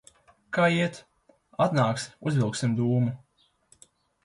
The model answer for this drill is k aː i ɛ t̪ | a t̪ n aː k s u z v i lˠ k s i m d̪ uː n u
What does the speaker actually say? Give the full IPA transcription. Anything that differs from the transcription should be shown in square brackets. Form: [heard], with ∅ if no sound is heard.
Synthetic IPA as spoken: k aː i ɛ t̪ | a t̪ n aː k s u z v i lˠ k s i m d̪ uː [m] u